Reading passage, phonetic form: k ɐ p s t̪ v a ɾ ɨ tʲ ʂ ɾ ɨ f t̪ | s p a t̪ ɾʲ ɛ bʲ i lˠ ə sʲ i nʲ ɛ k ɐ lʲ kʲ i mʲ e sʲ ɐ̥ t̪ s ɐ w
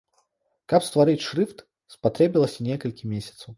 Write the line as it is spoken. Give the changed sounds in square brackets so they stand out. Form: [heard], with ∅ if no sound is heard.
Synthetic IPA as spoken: k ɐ p s t̪ v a ɾ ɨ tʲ ʂ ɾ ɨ f t̪ | s p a t̪ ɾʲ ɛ bʲ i lˠ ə sʲ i nʲ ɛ k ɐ lʲ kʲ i mʲ e sʲ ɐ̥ t̪ s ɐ w